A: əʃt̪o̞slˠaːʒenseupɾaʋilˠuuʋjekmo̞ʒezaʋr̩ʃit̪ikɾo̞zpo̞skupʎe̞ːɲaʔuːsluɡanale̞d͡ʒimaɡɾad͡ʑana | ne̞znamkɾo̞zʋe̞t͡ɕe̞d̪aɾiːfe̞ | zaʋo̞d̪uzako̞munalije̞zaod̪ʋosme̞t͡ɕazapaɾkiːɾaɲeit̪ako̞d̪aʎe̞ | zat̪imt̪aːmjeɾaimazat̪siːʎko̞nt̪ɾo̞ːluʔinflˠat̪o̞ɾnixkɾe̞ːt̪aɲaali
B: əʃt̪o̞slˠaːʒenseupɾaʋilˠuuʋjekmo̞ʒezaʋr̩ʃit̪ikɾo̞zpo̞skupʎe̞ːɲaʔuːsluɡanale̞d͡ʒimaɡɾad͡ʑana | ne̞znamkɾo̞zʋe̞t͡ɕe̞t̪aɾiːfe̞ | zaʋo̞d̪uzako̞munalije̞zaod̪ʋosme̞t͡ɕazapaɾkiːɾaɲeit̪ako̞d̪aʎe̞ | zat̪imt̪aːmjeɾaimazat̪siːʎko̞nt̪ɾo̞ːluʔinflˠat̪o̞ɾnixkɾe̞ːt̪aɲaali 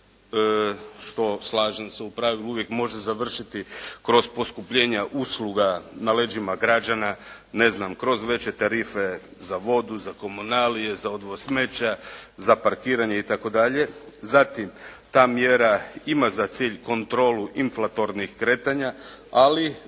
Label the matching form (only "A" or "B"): B